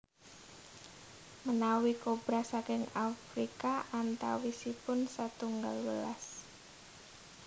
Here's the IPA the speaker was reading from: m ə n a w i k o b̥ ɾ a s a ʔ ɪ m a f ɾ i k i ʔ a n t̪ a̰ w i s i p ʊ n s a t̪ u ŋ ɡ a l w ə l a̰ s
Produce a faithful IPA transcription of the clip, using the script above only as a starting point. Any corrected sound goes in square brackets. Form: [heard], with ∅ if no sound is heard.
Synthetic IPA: m ə n a w i k o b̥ ɾ a s a [k] ɪ [ŋ] a f ɾ i k [a] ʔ a n t̪ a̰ w i s i p ʊ n s a t̪ u ŋ ɡ a l w ə l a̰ s